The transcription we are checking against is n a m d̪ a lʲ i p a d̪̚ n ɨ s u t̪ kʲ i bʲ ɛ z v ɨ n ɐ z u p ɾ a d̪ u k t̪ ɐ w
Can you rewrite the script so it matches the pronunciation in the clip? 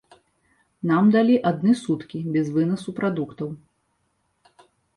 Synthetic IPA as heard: n a m d̪ a lʲ i ʔ a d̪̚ n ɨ s u t̪ kʲ i bʲ ɛ z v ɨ n ɐ s u p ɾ a d̪ u k t̪ ɐ w

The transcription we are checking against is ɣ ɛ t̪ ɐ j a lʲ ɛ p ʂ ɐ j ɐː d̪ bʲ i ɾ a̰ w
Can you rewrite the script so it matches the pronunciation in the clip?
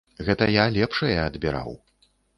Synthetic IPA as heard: ɣ ɛ t̪ ɐ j a lʲ ɛ p ʂ ɐ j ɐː d̪ bʲ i ɾ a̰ w

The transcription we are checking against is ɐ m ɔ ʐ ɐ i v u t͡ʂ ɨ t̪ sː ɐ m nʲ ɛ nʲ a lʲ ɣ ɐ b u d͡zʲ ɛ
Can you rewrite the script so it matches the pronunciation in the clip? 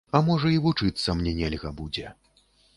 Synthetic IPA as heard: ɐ m ɔ ʐ ɐ i v u t͡ʂ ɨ t̪ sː ɐ m nʲ ɛ nʲ ɛ lʲ ɣ ɐ b u d͡zʲ ɛ

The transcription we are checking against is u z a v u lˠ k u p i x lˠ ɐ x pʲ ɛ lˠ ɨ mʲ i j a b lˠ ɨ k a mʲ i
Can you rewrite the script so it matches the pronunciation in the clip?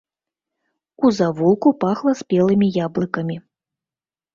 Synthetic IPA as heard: u z a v u lˠ k u p a x lˠ ɐ s pʲ ɛ lˠ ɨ mʲ i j a b lˠ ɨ k ɐ mʲ i

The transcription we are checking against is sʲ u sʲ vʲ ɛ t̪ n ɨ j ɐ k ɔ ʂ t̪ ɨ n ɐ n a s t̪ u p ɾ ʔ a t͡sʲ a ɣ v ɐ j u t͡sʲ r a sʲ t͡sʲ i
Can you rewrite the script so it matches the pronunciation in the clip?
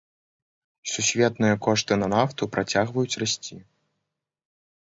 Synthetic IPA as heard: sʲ u sʲ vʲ ɛ t̪ n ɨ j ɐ k ɔ ʂ t̪ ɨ n ɐ n a f t̪ u p ɾ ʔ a t͡sʲ a ɣ v ɐ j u t͡sʲ r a sʲ t͡sʲ i

